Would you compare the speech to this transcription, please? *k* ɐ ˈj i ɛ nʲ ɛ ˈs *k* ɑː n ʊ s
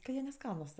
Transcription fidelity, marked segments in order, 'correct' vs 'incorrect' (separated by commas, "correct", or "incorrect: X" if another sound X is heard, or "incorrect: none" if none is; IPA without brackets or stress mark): correct, correct